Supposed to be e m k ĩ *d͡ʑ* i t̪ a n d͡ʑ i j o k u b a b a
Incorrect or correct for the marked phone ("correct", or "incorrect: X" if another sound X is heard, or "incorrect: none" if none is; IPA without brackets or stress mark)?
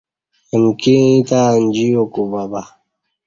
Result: incorrect: none